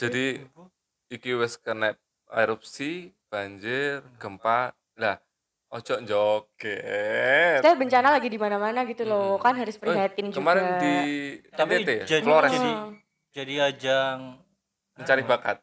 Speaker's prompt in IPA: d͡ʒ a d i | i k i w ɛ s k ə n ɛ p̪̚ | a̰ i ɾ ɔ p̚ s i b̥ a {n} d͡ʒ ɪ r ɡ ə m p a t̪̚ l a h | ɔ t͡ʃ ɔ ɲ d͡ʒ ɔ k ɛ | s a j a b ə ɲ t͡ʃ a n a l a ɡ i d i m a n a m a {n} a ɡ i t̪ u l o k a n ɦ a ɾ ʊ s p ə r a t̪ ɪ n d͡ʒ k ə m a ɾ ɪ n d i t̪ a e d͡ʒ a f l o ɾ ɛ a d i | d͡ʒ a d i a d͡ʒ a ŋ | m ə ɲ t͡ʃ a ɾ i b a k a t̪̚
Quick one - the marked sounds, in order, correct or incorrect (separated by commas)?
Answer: incorrect, correct